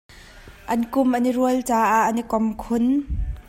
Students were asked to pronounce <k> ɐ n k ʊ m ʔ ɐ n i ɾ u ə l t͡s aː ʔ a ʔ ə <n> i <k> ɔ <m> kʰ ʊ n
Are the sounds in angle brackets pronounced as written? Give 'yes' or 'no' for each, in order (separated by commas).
no, yes, yes, yes